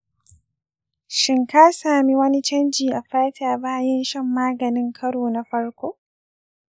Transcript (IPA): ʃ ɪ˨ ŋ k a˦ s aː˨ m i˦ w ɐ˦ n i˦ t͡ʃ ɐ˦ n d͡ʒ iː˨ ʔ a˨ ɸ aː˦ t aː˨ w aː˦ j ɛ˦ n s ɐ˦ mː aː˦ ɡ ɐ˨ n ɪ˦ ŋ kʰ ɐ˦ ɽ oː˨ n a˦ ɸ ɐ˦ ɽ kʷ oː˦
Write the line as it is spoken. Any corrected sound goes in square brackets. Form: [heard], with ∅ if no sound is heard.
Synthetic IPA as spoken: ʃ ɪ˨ ŋ k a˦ s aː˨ m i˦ w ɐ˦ n i˦ t͡ʃ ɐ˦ n d͡ʒ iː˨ ʔ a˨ ɸ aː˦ t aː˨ [b] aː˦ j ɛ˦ n [ʃ] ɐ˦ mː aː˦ ɡ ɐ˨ n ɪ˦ ŋ kʰ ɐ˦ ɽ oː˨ n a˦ ɸ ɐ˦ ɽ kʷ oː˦